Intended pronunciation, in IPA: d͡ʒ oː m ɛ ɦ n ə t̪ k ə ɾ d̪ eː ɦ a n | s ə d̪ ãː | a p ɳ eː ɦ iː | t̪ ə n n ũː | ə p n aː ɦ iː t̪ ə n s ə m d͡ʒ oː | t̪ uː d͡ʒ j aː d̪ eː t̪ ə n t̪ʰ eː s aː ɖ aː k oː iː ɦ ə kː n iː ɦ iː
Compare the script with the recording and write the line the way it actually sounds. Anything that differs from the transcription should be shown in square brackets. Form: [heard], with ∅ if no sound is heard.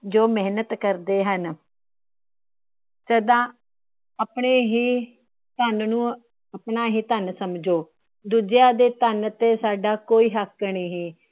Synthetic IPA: d͡ʒ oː m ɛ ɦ n ə t̪ k ə ɾ d̪ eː ɦ [ə] n | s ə d̪ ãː | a p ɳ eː ɦ iː | t̪ ə n n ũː | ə p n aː ɦ iː t̪ ə n s ə m d͡ʒ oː | [d̪] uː d͡ʒ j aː d̪ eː t̪ ə n [t̪] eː s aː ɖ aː k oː iː ɦ ə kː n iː ɦ iː